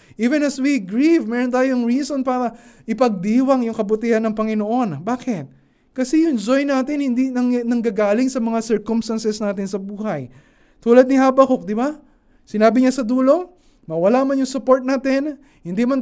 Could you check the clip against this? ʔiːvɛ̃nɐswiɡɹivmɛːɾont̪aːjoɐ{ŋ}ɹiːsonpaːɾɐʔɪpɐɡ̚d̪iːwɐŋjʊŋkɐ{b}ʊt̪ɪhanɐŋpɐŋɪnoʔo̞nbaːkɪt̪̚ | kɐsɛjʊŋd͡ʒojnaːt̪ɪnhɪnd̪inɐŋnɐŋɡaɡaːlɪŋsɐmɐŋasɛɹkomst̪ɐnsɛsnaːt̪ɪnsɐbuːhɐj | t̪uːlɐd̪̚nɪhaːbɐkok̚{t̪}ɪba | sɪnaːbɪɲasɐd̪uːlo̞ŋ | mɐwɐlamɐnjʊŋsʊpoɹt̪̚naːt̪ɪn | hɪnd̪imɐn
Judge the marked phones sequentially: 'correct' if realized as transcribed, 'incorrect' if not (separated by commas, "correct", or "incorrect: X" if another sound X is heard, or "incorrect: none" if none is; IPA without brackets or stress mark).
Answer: correct, correct, incorrect: d̪